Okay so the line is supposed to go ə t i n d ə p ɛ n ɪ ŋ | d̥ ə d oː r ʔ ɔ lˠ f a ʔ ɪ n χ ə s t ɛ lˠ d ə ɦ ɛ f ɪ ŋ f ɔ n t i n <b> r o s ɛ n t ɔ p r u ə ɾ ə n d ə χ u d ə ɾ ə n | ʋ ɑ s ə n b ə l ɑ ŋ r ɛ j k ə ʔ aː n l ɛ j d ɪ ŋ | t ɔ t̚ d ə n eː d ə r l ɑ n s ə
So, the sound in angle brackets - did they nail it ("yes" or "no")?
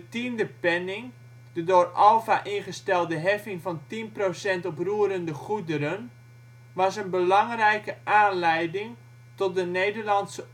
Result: no